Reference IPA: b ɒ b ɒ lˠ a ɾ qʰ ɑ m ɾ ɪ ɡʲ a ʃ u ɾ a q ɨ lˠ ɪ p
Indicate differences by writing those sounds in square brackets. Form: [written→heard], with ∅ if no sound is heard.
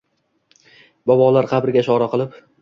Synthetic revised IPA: b ɒ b ɒ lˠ a ɾ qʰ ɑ [m→b] ɾ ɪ ɡʲ a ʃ [u→ɒ] ɾ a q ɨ lˠ ɪ p

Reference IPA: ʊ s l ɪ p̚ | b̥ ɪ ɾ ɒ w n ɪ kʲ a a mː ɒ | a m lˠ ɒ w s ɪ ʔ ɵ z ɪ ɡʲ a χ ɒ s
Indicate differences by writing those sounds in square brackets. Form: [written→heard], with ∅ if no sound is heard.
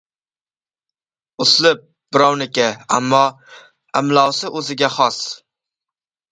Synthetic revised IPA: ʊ s l ɪ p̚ | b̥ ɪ ɾ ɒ w n ɪ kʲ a a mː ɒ | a m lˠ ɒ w s ɪ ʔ ɵ z ɪ ɡʲ a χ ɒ s

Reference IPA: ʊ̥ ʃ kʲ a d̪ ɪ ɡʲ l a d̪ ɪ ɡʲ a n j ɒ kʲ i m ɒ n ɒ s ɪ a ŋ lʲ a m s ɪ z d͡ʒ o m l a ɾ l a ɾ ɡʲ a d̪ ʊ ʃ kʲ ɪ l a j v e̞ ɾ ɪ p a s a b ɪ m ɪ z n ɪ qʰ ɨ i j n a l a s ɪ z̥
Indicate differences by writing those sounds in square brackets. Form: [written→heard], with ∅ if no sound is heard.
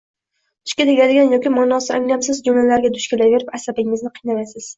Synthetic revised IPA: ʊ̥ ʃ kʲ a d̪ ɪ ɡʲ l a d̪ ɪ ɡʲ a n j ɒ kʲ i m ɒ n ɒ s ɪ a ŋ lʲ a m s ɪ z d͡ʒ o m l a [ɾ→∅] l a ɾ ɡʲ a d̪ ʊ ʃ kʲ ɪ l a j v e̞ ɾ ɪ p a s a b ɪ [m→ŋ] ɪ z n ɪ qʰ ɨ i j n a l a s ɪ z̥

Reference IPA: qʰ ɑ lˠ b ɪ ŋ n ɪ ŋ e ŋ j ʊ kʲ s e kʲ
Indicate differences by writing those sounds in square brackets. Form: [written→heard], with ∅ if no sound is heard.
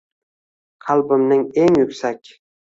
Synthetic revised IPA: qʰ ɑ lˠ b ɪ [ŋ→m] n ɪ ŋ e ŋ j ʊ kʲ s [e→a] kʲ

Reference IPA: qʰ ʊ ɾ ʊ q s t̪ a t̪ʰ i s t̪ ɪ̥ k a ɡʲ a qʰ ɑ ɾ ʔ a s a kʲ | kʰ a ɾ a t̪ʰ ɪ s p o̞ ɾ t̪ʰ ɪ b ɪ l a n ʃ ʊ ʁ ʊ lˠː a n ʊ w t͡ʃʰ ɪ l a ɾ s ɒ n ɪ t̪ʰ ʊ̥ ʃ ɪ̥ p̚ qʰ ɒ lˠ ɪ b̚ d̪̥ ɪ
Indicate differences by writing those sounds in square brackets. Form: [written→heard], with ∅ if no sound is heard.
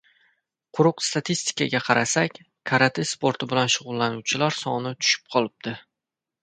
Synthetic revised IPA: qʰ ʊ ɾ ʊ q s t̪ a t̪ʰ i s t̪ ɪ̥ k a ɡʲ a qʰ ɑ ɾ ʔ a s a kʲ | kʰ a ɾ a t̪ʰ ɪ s p o̞ ɾ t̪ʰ ɪ b ɪ l a n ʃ ʊ ʁ ʊ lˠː a n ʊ w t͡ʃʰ ɪ l a ɾ s ɒ n ɪ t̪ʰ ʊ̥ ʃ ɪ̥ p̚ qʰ ɒ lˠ ɪ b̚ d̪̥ ɪ

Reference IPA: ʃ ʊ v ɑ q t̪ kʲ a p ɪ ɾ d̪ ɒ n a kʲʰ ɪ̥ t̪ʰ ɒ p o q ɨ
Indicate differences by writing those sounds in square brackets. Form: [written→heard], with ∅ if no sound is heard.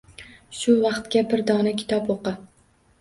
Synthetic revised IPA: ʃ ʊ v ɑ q t̪ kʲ a [p→b] ɪ ɾ d̪ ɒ n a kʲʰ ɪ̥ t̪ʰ ɒ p o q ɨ

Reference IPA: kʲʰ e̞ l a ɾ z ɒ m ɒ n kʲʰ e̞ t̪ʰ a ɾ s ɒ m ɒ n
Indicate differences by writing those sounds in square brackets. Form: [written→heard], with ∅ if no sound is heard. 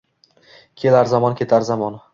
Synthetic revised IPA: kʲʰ e̞ l a ɾ z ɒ m ɒ n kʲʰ e̞ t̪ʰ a ɾ [s→z] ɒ m ɒ n

